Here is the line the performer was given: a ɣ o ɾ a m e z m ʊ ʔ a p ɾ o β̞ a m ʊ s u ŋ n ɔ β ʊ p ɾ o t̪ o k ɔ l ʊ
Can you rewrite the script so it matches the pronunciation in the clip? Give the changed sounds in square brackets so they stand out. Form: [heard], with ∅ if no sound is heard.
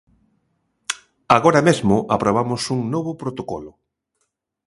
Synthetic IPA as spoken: a ɣ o ɾ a m e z m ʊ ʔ a p ɾ o β̞ a m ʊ s u ŋ n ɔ β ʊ p ɾ o t̪ o k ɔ l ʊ